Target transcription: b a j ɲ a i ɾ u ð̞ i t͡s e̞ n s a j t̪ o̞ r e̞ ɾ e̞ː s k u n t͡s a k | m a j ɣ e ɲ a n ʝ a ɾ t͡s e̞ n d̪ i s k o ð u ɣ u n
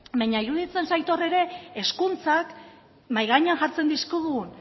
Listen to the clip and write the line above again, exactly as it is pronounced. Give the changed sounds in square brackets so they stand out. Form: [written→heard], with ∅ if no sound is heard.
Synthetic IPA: b a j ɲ a i ɾ u ð̞ i t͡s e̞ n s a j t̪ o̞ r e̞ ɾ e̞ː s k u n t͡s a k | m a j ɣ [e→a] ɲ a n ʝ a ɾ t͡s e̞ n d̪ i s k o ð u ɣ u n